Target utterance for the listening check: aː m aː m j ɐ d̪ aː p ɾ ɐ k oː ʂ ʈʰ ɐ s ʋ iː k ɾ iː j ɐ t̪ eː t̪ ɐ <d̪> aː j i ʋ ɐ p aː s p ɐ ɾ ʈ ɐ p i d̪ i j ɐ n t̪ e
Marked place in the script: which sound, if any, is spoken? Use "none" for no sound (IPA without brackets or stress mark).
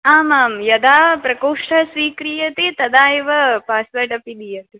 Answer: d̪